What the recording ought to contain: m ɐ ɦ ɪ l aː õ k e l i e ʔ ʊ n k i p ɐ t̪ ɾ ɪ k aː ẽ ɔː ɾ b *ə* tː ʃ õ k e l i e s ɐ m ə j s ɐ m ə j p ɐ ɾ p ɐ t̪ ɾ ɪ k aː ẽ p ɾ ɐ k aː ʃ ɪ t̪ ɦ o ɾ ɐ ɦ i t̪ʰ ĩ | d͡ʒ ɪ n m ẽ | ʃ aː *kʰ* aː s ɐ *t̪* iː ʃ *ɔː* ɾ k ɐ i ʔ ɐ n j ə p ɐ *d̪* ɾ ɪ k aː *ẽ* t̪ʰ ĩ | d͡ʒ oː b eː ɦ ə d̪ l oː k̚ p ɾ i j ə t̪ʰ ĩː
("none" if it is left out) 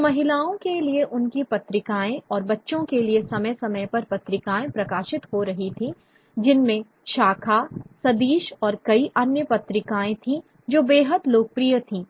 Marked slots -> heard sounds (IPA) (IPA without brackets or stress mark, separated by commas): ɐ, kʰ, d̪, ɔː, t̪, ẽ